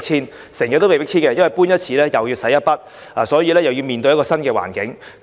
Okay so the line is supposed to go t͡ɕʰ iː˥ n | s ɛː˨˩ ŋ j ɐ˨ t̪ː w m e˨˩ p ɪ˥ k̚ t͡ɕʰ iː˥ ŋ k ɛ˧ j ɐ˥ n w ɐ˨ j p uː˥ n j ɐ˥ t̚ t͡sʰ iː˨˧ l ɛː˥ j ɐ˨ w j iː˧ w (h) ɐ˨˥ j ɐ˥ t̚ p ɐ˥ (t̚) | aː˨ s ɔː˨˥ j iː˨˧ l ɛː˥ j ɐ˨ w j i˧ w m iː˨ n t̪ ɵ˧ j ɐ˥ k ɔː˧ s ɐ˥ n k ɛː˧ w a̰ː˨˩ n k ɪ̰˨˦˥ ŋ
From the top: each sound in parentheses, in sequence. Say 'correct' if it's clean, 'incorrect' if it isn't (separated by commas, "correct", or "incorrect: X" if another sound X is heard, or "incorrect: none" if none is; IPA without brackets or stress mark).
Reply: incorrect: s, correct